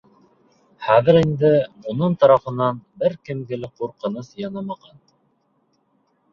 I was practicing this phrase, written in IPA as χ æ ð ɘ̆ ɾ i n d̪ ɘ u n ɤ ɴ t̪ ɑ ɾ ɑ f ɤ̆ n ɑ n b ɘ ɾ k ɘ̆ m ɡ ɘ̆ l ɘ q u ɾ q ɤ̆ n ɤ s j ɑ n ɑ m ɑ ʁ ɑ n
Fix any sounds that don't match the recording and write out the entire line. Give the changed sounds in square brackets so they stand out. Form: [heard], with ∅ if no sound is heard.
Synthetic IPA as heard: χ æ ð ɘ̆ ɾ i n d̪ ɘ u n ɤ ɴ t̪ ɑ ɾ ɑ f ɤ̆ n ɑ n b ɘ ɾ k ɘ̆ m ɡ ɘ̆ l ɘ q u ɾ q ɤ̆ n ɤ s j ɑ n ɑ m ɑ ʁ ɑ n